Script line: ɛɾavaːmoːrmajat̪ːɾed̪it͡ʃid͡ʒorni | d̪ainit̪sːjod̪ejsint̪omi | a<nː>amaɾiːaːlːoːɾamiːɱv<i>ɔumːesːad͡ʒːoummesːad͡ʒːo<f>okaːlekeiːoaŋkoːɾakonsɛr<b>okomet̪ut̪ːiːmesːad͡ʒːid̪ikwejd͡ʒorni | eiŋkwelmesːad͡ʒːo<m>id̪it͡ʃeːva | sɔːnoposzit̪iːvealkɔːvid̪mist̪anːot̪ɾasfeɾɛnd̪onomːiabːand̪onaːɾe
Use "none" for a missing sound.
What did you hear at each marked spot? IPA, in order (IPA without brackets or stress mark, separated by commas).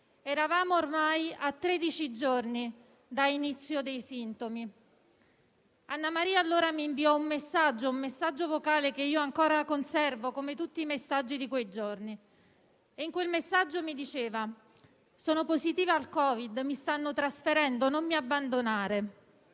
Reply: nː, i, v, v, m